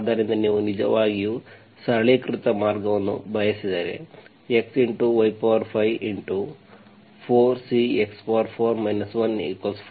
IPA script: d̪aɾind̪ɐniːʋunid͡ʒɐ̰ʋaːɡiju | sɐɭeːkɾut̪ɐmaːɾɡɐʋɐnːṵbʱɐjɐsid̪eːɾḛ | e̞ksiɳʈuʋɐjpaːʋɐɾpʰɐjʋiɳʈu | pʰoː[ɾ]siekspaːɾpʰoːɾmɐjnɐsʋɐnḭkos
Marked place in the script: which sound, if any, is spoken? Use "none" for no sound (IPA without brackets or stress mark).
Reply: ɾ